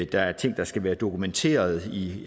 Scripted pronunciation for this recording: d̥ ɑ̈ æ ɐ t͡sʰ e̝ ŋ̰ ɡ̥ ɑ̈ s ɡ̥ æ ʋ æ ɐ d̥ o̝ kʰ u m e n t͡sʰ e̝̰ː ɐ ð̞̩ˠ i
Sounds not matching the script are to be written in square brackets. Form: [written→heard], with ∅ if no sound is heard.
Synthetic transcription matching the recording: d̥ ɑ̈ æ ɐ t͡sʰ e̝ ŋ̰ [ɡ̥→d̥] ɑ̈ s ɡ̥ æ ʋ [æ→æː] ɐ d̥ o̝ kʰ u m e n t͡sʰ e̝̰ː ɐ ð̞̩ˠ i